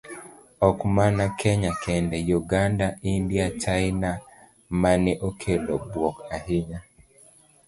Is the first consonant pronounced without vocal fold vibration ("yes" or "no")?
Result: yes